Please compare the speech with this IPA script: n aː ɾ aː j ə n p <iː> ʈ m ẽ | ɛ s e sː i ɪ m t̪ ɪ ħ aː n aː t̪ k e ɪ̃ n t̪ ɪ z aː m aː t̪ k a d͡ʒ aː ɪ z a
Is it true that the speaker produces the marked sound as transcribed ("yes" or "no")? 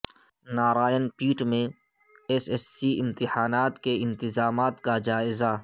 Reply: yes